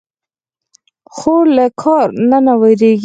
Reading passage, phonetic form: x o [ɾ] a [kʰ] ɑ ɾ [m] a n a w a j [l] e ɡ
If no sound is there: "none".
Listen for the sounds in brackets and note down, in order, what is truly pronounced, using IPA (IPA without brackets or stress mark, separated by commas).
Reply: l, kʰ, n, ɾ